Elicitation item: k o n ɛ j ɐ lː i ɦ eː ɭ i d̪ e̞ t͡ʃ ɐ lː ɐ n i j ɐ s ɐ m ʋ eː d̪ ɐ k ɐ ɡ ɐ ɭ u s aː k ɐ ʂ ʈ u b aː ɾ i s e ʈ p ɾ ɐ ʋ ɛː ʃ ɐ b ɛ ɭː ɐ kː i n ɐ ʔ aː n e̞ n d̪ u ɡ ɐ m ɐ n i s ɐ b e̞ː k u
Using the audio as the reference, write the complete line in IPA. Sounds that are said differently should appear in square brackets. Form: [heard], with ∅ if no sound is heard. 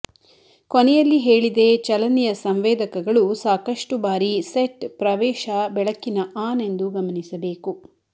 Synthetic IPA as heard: k o n ɛ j ɐ lː i ɦ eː ɭ i d̪ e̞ t͡ʃ ɐ [l] ɐ n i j ɐ s ɐ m ʋ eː d̪ ɐ k ɐ ɡ ɐ ɭ u s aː k ɐ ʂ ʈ u b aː ɾ i s e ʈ p ɾ ɐ ʋ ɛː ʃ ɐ b ɛ [ɭ] ɐ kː i n ɐ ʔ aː n e̞ n d̪ u ɡ ɐ m ɐ n i s ɐ b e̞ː k u